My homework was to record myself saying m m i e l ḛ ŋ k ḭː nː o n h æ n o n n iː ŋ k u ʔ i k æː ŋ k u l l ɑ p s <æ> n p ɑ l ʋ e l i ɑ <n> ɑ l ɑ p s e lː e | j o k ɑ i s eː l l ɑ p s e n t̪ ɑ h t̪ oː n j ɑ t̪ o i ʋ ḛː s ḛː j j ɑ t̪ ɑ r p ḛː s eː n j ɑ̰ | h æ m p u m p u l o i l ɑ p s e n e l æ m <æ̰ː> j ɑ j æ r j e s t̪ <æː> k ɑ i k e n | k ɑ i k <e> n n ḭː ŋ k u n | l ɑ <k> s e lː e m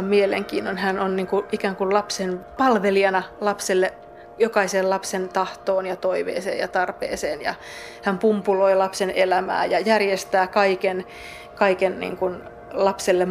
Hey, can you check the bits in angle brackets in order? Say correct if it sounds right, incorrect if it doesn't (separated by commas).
incorrect, correct, correct, correct, correct, incorrect